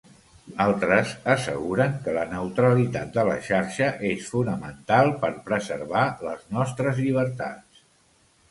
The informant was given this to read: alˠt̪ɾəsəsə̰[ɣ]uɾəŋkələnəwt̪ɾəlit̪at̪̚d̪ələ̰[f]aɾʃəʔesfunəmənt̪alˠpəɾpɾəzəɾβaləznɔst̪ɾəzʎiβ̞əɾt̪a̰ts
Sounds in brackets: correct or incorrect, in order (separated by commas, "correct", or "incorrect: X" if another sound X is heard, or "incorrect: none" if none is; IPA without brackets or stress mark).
correct, incorrect: ʃ